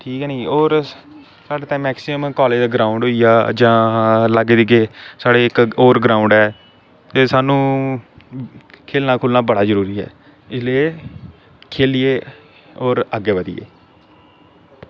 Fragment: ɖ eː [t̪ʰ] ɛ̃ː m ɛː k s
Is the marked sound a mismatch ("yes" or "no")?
yes